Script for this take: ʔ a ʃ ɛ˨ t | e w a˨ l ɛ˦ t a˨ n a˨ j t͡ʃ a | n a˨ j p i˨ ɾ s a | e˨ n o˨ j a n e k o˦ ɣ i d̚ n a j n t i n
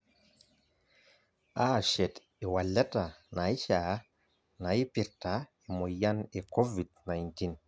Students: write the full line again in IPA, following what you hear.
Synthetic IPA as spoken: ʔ a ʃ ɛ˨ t | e w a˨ l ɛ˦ t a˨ n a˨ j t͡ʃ a | n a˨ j p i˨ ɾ t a | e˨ m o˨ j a n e k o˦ v i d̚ n a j n t i n